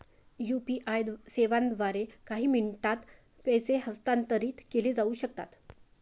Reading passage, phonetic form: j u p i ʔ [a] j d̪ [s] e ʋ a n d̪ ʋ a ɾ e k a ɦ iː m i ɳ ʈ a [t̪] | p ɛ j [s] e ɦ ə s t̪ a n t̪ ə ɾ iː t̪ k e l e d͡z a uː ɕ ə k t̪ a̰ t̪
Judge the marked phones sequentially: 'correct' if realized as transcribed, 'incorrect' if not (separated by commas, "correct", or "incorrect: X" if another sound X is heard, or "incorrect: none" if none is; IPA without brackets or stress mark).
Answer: correct, correct, correct, correct